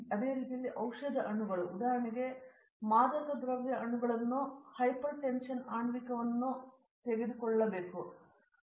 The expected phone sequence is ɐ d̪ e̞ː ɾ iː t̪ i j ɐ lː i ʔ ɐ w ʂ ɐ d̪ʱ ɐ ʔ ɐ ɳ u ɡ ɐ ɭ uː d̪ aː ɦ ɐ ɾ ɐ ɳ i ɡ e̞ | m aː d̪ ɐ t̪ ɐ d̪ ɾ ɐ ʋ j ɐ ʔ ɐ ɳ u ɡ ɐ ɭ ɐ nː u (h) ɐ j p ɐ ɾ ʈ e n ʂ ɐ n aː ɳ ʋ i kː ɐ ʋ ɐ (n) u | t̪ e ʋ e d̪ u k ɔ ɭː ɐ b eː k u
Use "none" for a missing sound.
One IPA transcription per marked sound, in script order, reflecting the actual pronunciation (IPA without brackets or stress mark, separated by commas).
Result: h, nː